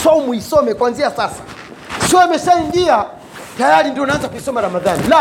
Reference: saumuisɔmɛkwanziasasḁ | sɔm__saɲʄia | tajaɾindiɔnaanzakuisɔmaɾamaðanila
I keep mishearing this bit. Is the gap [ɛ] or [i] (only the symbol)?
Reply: ɛ